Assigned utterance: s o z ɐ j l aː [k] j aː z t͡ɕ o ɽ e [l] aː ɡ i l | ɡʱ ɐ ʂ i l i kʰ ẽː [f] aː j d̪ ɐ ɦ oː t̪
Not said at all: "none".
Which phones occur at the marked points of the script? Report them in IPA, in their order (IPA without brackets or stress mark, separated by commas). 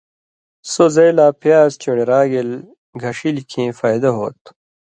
p, ɾ, f